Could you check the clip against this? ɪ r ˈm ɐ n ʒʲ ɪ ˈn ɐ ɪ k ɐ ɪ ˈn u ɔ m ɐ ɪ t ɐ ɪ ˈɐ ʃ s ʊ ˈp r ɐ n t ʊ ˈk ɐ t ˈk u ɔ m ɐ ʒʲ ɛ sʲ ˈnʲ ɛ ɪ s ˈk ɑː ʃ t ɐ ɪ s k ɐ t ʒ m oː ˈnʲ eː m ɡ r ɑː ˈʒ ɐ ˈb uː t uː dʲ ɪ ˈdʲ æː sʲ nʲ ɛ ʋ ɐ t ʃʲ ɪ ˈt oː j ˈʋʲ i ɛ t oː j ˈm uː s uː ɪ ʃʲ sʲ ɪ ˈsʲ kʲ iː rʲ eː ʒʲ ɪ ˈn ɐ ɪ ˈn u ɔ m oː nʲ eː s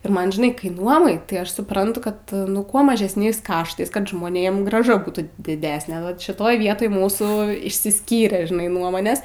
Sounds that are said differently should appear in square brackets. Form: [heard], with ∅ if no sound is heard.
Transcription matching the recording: ɪ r ˈm ɐ n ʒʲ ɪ ˈn ɐ ɪ k ɐ ɪ ˈn u ɔ m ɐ ɪ t ɐ ɪ ˈɐ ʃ s ʊ ˈp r ɐ n t ʊ ˈk ɐ t ˈk u ɔ m ɐ ʒʲ ɛ sʲ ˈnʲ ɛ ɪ s ˈk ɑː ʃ t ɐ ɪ s k ɐ t ʒ m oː ˈnʲ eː m ɡ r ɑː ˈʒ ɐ ˈb uː t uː dʲ ɪ ˈdʲ æː sʲ nʲ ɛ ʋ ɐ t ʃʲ ɪ ˈt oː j ˈʋʲ i ɛ t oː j ˈm uː s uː ɪ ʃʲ sʲ ɪ ˈsʲ kʲ iː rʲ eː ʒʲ ɪ ˈn ɐ ɪ ˈn u ɔ m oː nʲ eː s

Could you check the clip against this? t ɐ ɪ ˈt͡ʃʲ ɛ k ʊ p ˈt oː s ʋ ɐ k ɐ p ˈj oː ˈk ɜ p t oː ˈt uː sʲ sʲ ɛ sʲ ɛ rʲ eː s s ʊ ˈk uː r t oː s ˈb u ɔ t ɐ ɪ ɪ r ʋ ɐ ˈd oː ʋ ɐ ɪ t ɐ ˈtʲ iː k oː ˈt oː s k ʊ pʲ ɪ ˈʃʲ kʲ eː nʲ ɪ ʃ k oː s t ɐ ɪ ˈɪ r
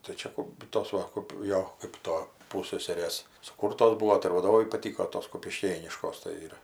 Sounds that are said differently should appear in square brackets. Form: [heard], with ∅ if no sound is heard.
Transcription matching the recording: t ɐ ɪ ˈt͡ʃʲ ɛ k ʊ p ˈt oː s ʋ ɐ k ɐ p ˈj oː ˈk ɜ p t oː [ˈp] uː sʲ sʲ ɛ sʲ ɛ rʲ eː s s ʊ ˈk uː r t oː s ˈb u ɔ t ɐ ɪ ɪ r ʋ ɐ ˈd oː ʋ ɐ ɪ [p] ɐ ˈtʲ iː k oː ˈt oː s k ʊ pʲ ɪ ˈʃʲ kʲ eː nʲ ɪ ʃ k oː s t ɐ ɪ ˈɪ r

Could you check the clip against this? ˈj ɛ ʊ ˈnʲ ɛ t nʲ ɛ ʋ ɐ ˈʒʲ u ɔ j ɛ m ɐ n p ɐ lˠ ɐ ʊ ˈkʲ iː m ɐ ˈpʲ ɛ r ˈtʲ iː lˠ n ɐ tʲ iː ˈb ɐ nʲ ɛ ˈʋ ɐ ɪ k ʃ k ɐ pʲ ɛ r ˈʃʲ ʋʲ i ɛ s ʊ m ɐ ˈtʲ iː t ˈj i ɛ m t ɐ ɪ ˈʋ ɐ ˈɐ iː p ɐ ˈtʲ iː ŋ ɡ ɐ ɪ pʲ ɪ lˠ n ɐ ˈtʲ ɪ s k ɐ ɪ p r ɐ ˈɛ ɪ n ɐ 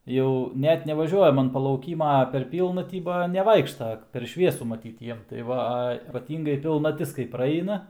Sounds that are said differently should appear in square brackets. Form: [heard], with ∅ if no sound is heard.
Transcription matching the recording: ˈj ɛ ʊ ˈnʲ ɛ t nʲ ɛ ʋ ɐ ˈʒʲ u ɔ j ɛ m ɐ n p ɐ lˠ ɐ ʊ ˈkʲ iː m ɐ ˈpʲ ɛ r [ˈpʲ] iː lˠ n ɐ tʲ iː ˈb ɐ nʲ ɛ ˈʋ ɐ ɪ k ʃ [t] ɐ pʲ ɛ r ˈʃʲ ʋʲ i ɛ s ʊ m ɐ ˈtʲ iː t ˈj i ɛ m t ɐ ɪ ˈʋ ɐ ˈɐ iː p ɐ ˈtʲ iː ŋ ɡ ɐ ɪ pʲ ɪ lˠ n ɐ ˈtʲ ɪ s k ɐ ɪ p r ɐ ˈɛ ɪ n ɐ

